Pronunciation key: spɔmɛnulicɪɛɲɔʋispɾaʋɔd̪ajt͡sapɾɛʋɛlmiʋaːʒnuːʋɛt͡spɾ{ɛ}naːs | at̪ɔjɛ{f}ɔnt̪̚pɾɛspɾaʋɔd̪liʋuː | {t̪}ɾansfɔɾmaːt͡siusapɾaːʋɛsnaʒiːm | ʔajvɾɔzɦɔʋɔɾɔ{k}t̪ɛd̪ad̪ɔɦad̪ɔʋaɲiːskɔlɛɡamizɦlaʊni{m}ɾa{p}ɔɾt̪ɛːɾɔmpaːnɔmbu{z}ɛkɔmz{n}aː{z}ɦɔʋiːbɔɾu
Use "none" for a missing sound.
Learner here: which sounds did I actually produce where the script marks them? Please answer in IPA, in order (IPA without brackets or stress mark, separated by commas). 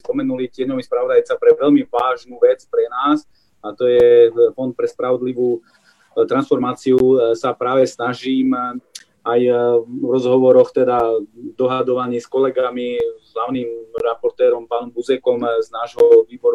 ɛ, f, t̪, x, m, p, z, n, ʒ